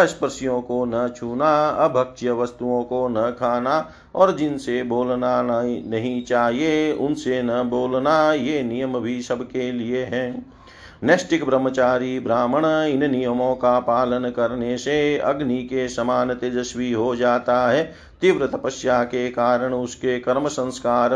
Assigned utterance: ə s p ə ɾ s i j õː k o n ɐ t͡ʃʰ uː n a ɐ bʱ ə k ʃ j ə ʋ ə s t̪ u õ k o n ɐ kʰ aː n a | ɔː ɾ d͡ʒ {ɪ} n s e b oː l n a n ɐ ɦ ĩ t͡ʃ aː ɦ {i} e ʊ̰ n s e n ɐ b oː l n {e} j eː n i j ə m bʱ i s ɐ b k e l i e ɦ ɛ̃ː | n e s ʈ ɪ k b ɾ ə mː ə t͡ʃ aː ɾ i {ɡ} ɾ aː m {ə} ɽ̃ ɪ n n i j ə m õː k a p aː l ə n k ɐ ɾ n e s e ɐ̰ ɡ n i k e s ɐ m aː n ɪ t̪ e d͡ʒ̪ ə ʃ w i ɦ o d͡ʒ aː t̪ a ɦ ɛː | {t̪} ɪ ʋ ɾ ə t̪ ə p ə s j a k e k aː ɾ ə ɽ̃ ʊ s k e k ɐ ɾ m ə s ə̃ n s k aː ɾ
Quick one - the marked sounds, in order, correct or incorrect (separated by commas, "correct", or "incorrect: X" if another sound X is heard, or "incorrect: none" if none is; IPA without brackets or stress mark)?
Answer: correct, correct, incorrect: a, incorrect: b, correct, correct